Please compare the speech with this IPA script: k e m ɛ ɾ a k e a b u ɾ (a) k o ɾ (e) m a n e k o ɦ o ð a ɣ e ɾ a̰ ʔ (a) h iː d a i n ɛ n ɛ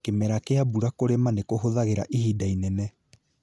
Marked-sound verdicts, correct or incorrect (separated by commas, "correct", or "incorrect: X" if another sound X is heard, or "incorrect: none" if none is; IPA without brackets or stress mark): correct, correct, incorrect: i